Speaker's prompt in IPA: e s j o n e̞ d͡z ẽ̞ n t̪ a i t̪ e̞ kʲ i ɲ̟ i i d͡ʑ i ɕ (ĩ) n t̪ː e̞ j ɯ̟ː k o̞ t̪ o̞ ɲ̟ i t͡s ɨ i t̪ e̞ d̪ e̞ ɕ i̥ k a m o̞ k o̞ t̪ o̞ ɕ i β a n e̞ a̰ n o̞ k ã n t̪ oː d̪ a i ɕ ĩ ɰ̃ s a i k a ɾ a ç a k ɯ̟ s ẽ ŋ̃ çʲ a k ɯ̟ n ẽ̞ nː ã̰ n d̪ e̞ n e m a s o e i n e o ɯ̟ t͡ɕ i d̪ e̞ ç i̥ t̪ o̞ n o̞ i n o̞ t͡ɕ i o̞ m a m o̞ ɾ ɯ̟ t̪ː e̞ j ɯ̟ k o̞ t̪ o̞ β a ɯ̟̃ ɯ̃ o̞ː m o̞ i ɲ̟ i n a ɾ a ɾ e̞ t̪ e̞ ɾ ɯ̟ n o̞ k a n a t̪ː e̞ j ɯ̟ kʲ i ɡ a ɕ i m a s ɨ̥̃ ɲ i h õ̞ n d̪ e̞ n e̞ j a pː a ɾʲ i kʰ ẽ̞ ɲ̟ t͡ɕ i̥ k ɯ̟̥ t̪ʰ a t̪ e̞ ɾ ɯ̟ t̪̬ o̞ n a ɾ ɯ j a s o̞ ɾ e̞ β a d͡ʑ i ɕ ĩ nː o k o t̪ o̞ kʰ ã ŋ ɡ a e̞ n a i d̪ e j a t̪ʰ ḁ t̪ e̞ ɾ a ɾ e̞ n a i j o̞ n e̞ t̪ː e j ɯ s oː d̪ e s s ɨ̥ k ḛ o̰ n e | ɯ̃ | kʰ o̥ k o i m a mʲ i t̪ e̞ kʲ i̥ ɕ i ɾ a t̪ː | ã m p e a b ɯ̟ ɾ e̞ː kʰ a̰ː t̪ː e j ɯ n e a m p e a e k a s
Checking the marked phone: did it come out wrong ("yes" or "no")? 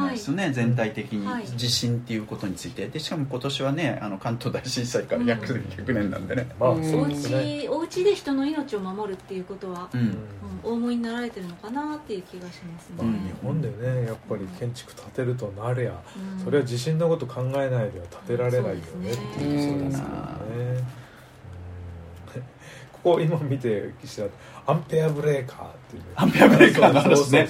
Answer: no